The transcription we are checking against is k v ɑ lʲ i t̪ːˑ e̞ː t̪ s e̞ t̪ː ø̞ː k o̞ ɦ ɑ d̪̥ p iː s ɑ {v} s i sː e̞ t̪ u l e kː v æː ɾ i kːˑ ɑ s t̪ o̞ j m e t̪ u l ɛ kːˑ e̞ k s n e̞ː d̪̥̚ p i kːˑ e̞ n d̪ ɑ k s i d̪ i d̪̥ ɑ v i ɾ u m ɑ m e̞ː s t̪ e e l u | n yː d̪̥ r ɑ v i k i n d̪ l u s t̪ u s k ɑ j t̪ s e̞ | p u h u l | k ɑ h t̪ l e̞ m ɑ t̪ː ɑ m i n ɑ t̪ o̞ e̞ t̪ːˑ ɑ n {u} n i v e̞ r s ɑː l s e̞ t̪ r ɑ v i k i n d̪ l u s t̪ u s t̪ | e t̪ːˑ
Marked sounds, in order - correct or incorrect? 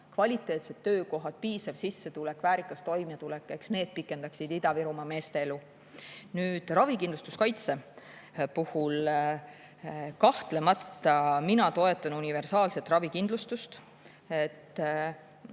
correct, correct

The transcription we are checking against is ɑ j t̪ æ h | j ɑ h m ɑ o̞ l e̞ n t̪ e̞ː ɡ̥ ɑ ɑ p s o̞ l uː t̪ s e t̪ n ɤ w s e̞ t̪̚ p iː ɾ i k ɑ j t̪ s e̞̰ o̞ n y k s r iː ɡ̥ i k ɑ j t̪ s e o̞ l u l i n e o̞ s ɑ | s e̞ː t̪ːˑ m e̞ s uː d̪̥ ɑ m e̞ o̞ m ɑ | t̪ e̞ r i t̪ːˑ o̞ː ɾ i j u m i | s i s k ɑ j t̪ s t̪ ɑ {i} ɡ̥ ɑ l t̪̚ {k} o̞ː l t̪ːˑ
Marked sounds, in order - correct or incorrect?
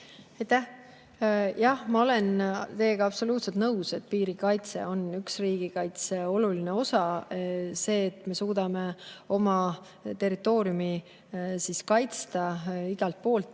correct, incorrect: p

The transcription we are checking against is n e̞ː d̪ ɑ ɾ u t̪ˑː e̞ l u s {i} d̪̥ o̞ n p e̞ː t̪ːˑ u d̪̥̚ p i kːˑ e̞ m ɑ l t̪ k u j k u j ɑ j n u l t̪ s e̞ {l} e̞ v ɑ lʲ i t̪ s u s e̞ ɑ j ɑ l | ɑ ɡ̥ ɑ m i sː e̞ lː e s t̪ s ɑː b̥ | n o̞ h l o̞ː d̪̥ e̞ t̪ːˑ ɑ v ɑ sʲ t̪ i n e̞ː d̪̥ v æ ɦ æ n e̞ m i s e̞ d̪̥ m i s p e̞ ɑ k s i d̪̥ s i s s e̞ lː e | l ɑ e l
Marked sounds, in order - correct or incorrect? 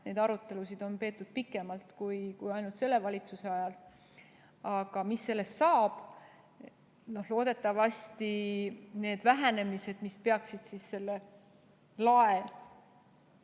correct, incorrect: lː

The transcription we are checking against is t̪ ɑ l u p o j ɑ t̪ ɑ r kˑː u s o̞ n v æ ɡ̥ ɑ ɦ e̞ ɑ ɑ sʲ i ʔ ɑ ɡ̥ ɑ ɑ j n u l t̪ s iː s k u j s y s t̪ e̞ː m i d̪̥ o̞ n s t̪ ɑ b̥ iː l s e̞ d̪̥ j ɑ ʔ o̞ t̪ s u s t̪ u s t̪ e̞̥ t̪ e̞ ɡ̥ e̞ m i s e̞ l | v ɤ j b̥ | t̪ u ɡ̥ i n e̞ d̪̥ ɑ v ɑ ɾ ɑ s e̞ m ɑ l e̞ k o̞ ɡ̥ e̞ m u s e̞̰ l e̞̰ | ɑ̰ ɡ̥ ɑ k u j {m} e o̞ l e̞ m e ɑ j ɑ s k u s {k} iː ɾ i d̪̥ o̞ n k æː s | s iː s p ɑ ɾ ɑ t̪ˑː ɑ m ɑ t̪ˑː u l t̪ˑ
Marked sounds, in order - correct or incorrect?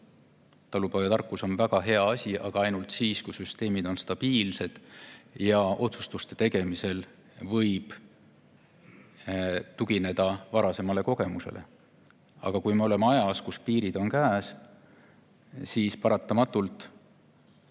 correct, incorrect: p

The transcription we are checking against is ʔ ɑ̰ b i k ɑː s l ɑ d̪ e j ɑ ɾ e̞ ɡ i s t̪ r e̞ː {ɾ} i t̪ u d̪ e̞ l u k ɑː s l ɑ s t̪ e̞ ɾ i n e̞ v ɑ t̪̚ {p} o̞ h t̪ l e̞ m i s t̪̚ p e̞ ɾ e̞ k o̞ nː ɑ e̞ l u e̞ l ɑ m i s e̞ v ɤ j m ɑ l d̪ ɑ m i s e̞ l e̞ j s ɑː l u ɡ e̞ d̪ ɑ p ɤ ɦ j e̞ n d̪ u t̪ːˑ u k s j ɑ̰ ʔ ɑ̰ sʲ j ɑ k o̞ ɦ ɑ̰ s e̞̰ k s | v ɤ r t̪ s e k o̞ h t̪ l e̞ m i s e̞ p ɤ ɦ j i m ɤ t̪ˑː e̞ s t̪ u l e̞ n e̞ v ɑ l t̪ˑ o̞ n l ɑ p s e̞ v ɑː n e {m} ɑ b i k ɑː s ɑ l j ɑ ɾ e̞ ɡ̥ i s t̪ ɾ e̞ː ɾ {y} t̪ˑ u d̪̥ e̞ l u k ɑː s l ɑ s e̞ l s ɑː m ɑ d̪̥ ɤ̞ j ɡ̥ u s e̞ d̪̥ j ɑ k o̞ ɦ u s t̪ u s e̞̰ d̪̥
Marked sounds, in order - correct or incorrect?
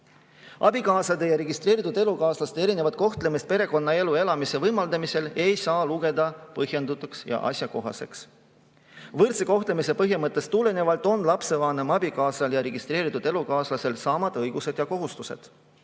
correct, incorrect: k, correct, incorrect: i

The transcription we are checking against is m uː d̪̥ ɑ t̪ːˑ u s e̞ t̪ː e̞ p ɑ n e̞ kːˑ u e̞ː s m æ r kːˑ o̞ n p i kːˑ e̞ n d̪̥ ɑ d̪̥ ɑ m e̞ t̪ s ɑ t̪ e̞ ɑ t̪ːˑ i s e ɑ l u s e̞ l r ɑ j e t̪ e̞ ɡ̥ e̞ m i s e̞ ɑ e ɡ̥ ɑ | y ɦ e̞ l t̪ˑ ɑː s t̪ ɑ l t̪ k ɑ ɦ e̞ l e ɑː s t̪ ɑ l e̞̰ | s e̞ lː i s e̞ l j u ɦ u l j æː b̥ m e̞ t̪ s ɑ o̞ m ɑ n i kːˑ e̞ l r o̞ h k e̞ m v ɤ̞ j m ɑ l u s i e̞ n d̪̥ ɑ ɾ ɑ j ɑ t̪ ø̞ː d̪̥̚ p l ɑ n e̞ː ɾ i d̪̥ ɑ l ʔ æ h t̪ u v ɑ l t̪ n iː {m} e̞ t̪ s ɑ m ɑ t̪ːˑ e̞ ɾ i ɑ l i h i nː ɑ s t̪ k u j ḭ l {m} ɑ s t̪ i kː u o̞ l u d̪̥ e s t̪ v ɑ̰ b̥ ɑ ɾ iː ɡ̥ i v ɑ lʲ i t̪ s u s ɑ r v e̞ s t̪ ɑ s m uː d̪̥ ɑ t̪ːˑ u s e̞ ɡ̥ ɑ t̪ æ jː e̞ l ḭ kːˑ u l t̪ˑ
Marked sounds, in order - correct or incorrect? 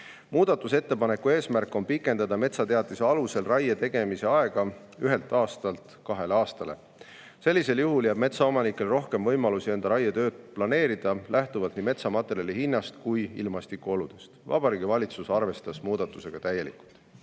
correct, correct

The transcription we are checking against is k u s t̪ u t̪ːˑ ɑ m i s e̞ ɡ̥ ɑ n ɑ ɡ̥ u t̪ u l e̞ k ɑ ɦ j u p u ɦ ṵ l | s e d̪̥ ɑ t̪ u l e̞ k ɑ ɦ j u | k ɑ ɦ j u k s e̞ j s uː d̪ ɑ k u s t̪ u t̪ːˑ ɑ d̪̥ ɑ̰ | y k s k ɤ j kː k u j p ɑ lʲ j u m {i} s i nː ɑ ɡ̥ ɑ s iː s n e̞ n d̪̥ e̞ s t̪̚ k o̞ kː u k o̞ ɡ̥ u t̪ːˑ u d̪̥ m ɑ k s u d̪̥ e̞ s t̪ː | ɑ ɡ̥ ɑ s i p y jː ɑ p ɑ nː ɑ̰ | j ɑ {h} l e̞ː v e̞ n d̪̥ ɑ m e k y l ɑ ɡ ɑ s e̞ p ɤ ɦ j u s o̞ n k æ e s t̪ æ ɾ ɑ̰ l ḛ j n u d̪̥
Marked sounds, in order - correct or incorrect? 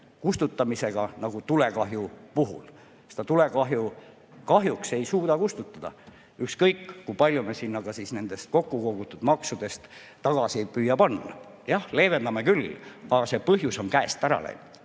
incorrect: e, correct

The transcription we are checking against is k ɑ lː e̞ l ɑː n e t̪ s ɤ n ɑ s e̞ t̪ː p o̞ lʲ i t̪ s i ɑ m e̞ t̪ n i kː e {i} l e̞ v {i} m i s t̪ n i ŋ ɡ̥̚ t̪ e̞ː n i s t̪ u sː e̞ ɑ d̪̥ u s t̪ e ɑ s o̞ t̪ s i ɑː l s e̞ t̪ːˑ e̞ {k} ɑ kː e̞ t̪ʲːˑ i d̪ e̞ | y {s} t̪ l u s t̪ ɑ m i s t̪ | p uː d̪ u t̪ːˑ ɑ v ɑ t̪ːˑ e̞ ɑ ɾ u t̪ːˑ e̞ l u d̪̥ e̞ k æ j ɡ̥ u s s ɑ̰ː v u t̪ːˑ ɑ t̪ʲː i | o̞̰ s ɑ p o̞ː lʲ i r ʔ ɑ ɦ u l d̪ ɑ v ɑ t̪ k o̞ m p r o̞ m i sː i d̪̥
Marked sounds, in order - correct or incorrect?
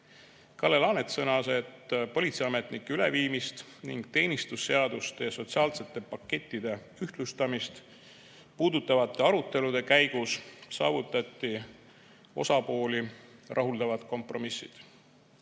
incorrect: y, incorrect: iː, incorrect: p, incorrect: h

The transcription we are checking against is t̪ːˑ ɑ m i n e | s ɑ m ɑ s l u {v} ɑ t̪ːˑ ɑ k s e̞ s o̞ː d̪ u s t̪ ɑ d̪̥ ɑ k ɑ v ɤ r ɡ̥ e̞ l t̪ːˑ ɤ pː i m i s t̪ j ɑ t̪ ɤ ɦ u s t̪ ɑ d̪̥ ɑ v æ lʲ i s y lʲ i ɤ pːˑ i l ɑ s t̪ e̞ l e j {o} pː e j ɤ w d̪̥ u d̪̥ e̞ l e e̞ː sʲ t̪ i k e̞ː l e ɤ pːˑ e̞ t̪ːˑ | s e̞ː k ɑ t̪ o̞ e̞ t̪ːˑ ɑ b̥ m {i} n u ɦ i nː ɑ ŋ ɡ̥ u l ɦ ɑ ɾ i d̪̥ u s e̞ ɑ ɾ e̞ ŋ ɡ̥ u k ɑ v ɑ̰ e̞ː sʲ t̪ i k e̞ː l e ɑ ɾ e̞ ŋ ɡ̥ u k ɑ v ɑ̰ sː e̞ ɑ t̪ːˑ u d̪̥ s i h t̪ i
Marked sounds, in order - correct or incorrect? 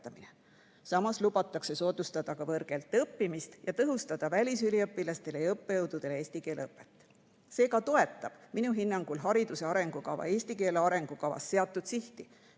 incorrect: b, incorrect: ɤ, correct

